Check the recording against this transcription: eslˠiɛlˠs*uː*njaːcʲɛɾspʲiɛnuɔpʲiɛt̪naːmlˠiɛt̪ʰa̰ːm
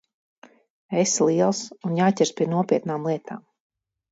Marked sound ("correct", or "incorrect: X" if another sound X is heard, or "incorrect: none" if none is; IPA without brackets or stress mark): incorrect: u